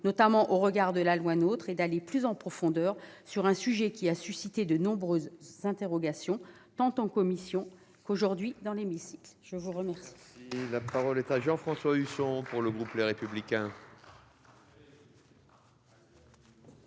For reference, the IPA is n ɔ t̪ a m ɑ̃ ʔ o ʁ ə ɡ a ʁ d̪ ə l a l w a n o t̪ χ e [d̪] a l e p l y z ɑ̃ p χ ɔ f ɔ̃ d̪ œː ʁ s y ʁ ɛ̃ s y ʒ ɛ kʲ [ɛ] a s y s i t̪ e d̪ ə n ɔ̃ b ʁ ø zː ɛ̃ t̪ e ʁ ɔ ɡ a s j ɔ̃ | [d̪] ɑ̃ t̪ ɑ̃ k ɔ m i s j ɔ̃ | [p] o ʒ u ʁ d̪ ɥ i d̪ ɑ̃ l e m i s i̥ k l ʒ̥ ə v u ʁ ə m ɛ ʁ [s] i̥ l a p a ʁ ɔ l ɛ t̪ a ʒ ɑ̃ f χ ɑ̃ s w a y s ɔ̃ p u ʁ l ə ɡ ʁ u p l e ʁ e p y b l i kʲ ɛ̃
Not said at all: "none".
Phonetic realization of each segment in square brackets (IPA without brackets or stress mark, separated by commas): d̪, i, t̪, k, s